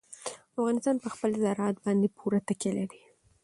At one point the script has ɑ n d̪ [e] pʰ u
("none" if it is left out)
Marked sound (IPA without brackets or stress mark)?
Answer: e